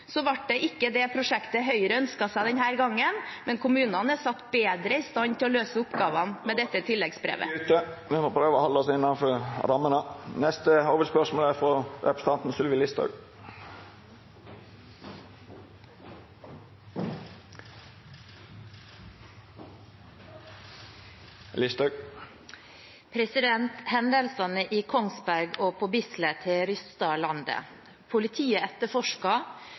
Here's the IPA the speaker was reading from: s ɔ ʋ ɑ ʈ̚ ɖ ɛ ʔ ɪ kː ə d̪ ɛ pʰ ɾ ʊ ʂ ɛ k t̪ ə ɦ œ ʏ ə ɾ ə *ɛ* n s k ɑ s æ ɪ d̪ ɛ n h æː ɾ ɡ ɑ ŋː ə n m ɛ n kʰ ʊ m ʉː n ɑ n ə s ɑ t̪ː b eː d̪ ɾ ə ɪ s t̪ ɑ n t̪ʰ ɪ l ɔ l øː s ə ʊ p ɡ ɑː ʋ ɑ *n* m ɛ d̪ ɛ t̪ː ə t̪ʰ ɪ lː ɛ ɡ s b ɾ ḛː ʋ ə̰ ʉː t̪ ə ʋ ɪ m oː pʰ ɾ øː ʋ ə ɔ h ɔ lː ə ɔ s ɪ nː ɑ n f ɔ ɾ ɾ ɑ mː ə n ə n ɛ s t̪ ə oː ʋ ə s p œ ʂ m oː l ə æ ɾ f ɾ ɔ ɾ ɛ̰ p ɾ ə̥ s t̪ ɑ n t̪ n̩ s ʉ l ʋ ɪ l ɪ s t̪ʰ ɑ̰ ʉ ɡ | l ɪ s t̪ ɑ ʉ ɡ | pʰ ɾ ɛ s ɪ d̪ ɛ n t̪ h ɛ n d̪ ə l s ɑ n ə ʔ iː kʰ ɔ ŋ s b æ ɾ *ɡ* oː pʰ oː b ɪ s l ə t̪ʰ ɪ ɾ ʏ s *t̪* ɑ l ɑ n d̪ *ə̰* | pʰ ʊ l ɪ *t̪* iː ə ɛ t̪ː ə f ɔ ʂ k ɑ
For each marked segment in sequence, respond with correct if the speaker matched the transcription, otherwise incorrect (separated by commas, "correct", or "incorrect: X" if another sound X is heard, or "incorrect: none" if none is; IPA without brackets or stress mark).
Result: incorrect: œ, correct, correct, correct, correct, incorrect: t̪ʰ